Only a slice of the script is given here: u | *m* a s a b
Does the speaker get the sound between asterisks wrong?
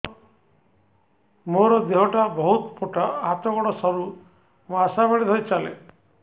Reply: no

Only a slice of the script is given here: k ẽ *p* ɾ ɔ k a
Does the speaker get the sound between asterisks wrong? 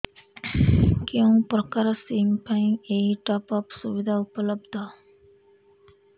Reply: no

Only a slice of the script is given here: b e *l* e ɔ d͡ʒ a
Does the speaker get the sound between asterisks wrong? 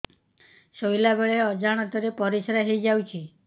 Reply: yes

